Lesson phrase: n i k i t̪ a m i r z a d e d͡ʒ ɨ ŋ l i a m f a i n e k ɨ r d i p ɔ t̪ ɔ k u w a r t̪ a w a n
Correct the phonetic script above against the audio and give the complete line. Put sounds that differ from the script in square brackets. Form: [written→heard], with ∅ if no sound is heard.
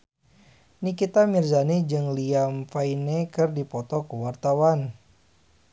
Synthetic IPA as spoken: n i k i t̪ a m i r z a [d→n] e d͡ʒ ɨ ŋ l i a m f a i n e k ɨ r d i p ɔ t̪ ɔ k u w a r t̪ a w a n